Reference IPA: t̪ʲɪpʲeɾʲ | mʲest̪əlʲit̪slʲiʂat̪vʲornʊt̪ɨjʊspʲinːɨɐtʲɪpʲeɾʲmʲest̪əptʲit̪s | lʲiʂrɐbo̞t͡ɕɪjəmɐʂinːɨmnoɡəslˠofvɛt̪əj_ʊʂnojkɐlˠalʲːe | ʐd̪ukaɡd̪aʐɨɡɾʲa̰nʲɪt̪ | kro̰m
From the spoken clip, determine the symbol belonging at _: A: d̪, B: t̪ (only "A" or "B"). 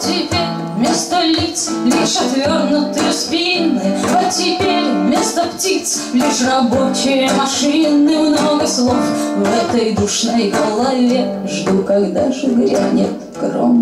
A